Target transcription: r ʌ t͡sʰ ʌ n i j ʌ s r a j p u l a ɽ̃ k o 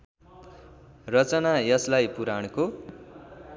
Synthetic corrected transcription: r ʌ t͡s ʌ n a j ʌ s l a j p u ɾ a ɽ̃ k o

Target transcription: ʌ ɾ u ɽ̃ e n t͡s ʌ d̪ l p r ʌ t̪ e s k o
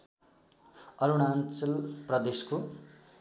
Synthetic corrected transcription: ʌ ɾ u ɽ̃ a n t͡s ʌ l p r ʌ d̪ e s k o

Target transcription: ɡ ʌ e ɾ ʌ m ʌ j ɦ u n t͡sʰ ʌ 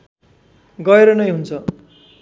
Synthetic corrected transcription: ɡ ʌ e ɾ ʌ n ʌ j ɦ u n t͡sʰ ʌ

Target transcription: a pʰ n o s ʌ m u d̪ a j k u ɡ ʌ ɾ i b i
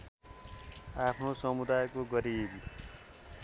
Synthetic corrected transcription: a pʰ n o s ʌ m u d̪ a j k o ɡ ʌ ɾ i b i

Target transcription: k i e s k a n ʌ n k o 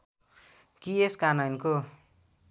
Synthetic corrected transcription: k i e s k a n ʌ n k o

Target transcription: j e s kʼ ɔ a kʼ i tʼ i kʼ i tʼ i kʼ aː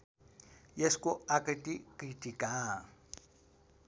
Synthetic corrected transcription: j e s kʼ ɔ a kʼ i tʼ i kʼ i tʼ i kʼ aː

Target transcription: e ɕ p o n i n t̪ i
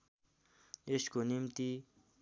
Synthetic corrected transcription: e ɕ k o n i m t̪ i

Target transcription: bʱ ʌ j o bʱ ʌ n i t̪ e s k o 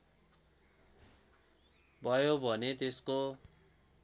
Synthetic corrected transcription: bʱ ʌ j o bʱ ʌ n e t̪ e s k o

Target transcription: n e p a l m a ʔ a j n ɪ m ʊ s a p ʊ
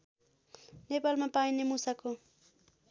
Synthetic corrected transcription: n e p a l m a p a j n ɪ m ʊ s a k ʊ

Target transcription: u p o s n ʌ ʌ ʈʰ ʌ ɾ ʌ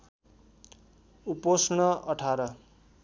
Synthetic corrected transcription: u p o s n ʌ ʌ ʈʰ a ɾ ʌ

